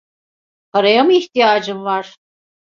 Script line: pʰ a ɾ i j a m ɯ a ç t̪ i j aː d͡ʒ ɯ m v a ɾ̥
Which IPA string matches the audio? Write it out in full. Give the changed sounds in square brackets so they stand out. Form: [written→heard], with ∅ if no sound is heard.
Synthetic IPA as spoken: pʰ a ɾ [i→a] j a m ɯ [a→i] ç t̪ i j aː d͡ʒ ɯ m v a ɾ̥